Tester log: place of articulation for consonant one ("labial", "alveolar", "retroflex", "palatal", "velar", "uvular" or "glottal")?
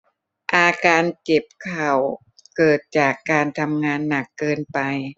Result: glottal